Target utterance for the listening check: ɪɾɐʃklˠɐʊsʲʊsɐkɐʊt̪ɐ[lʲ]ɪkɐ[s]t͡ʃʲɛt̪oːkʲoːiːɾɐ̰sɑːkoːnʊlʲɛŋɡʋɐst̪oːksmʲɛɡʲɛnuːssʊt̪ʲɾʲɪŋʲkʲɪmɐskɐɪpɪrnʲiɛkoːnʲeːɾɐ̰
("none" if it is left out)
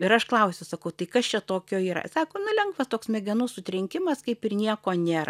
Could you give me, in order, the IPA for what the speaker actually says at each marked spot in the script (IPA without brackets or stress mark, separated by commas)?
none, s